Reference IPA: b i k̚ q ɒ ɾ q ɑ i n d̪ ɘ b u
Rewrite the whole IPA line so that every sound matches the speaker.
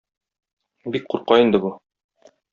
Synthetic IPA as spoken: b i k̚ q u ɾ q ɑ i n d̪ ɘ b u